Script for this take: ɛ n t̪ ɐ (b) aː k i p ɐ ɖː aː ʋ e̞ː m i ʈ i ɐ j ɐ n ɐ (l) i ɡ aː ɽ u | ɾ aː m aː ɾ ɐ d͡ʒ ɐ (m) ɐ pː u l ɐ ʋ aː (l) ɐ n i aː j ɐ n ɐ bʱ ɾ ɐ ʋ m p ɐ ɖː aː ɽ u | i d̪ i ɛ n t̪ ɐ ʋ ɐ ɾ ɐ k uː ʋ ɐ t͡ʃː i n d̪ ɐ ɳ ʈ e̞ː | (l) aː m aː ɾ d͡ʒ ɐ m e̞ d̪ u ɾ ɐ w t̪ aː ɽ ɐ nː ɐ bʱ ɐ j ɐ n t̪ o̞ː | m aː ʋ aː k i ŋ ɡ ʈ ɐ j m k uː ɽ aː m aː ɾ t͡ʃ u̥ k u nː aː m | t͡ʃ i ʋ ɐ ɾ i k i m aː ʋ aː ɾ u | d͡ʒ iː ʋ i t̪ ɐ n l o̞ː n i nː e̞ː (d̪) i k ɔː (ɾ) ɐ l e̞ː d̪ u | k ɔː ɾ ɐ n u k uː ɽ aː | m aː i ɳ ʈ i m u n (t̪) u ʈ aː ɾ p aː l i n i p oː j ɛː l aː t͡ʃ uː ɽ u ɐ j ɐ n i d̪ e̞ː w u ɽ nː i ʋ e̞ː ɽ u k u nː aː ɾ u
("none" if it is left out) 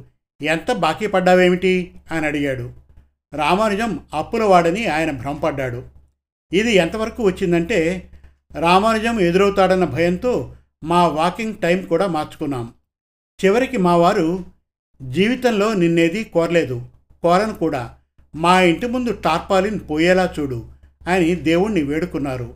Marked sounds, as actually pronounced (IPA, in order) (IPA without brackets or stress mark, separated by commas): b, ɽ, m, ɽ, ɾ, d̪, ɾ, d̪